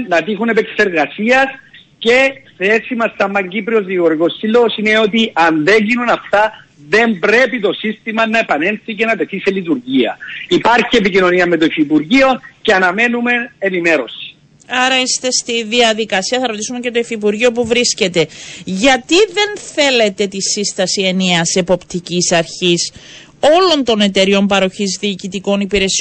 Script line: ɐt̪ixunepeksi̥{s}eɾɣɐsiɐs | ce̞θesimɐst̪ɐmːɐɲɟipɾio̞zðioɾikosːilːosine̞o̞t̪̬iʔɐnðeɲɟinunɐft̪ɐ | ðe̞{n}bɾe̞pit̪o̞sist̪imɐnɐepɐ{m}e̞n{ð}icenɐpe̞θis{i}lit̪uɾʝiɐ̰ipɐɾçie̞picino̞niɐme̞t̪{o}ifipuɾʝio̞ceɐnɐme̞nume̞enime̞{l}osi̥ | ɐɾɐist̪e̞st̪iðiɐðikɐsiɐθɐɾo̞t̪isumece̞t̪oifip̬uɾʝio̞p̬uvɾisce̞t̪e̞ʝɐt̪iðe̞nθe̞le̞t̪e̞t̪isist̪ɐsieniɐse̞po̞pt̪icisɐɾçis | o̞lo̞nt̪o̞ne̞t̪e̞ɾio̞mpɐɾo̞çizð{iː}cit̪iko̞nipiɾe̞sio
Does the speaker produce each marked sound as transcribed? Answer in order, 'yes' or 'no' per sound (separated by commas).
yes, no, no, no, no, yes, no, yes